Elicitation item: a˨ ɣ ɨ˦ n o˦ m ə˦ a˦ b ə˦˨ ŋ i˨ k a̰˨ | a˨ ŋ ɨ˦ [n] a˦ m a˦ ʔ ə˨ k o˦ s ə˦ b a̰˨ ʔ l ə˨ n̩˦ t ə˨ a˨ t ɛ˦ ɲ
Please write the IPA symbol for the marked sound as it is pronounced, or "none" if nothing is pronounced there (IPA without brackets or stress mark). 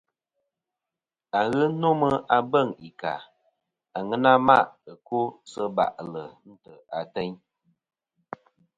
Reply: n